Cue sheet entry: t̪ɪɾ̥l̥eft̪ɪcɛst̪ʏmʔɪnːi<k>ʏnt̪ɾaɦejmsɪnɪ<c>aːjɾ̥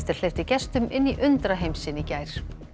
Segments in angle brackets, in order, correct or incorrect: incorrect, correct

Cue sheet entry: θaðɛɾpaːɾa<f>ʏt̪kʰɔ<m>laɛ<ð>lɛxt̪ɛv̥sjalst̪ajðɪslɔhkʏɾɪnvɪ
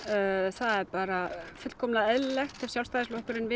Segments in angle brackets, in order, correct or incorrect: correct, correct, correct

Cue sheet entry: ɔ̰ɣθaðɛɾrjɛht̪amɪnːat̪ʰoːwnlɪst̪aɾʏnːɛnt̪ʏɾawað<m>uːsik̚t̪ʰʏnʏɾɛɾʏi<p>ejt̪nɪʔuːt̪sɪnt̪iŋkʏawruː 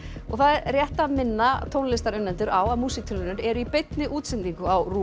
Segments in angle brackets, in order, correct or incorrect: correct, correct

